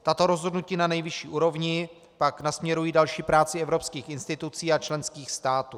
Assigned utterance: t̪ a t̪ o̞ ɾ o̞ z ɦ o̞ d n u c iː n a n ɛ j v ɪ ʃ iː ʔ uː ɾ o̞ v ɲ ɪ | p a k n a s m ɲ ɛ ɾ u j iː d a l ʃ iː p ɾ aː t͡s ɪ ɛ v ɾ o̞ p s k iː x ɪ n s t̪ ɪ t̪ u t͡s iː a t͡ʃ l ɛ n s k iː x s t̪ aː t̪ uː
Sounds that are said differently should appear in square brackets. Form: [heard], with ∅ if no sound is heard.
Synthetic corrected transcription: t̪ a t̪ o̞ ɾ o̞ z ɦ o̞ d n u c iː n a n ɛ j v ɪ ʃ iː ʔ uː ɾ o̞ v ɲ ɪ | p a k n a s m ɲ ɛ ɾ u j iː d a l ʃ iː p ɾ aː t͡s ɪ ɛ v ɾ o̞ p s k iː x ɪ n s t̪ ɪ t̪ u t͡s iː a t͡ʃ l ɛ n s k iː x s t̪ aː t̪ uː